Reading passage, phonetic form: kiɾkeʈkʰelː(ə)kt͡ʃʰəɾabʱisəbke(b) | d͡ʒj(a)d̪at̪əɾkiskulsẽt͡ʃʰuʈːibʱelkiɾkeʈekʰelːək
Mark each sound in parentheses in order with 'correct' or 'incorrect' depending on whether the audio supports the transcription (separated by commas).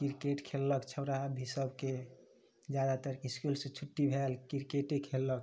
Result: correct, incorrect, correct